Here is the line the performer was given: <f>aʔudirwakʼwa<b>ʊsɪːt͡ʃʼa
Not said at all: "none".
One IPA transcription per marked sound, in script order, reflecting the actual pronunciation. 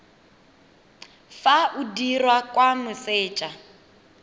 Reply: f, m

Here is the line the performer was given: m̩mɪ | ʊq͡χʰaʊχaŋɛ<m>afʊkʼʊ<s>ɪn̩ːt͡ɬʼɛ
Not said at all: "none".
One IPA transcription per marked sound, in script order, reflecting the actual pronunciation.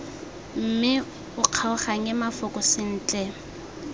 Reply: m, s

